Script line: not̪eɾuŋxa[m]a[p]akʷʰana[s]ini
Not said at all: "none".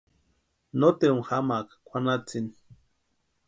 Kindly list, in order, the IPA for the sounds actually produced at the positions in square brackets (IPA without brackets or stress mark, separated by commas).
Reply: m, k, t͡s